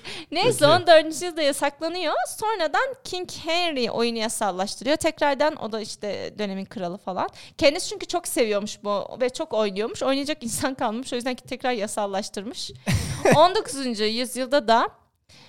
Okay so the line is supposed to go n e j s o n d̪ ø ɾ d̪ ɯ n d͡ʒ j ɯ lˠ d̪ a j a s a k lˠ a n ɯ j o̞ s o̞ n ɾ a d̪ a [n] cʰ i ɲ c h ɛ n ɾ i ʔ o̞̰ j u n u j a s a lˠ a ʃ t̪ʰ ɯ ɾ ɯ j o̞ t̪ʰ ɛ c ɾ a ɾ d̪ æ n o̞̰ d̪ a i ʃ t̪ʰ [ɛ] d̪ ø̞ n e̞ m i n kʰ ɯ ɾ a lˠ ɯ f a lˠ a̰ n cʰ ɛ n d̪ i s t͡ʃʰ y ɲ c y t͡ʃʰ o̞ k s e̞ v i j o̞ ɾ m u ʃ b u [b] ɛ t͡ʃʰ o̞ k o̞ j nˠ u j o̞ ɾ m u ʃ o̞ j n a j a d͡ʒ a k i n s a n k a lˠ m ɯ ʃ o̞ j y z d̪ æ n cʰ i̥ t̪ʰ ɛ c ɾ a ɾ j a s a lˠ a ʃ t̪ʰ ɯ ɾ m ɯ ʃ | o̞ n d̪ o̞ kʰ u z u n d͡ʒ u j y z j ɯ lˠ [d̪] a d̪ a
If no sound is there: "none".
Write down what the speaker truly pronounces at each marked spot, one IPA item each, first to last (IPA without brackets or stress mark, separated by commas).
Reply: n, ɛ, v, d̪